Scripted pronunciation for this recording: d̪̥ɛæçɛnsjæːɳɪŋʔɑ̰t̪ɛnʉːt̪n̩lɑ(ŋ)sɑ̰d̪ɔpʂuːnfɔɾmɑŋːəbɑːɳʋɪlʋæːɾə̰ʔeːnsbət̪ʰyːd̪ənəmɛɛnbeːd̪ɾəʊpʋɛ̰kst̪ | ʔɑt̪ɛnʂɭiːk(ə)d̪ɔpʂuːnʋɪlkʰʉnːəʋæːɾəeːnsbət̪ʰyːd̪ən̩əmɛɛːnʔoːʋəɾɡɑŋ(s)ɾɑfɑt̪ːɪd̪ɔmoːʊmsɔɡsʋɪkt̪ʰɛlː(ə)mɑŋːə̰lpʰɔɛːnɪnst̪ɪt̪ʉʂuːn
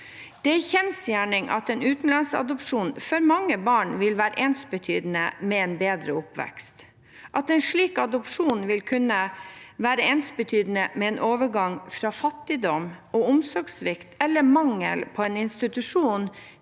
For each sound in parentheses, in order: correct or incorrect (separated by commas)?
incorrect, incorrect, incorrect, correct